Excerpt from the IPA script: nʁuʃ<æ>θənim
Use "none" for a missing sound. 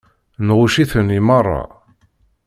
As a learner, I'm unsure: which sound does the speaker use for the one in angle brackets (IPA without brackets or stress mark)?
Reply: i